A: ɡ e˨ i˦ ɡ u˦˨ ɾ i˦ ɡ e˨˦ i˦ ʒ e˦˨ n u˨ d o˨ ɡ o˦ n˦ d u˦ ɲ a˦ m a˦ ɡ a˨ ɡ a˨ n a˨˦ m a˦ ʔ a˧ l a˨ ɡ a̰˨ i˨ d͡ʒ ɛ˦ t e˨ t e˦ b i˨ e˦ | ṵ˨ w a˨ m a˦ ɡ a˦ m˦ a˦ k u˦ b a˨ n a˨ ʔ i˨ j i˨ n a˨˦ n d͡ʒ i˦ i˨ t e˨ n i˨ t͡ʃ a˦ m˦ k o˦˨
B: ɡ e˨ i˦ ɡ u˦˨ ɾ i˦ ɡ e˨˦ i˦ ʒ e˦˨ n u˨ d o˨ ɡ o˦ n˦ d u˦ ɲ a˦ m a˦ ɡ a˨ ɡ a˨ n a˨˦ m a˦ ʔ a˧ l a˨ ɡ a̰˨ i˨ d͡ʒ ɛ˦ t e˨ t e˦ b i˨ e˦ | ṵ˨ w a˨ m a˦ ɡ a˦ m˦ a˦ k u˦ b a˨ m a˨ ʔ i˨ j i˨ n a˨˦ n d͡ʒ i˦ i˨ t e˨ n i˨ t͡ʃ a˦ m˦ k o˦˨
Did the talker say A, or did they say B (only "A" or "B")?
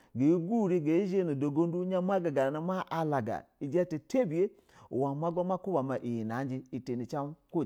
B